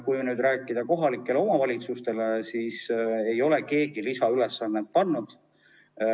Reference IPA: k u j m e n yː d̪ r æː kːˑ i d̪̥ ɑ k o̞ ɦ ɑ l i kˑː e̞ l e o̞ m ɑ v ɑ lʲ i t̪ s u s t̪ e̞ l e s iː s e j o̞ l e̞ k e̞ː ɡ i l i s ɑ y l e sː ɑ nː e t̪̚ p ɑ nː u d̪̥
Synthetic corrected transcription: k u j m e n yː d̪ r æː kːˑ i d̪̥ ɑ k o̞ ɦ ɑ l i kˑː e̞ l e o̞ m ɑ v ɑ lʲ i t̪ s u s t̪ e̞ l e s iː s e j o̞ l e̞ k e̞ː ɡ i l i s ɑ y l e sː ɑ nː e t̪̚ p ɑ nː u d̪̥